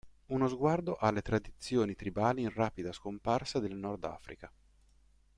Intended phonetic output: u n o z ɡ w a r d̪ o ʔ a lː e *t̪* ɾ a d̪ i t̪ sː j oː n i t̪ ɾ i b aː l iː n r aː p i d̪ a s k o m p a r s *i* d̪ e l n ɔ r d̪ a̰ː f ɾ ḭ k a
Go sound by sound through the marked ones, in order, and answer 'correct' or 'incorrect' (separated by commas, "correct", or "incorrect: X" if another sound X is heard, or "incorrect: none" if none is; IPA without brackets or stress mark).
correct, incorrect: a